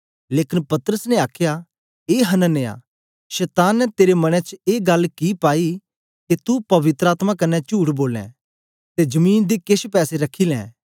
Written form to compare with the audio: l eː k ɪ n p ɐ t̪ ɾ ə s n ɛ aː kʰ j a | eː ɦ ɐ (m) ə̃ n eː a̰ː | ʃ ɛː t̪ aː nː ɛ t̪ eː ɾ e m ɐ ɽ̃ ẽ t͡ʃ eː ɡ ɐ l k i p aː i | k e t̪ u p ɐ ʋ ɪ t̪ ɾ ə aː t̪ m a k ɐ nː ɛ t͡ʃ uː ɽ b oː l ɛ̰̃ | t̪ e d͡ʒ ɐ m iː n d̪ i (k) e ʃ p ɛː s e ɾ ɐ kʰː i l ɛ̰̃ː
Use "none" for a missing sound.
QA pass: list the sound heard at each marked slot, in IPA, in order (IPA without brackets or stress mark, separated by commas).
n, k